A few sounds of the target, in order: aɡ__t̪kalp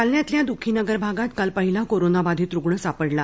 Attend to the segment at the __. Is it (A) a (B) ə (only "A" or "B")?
A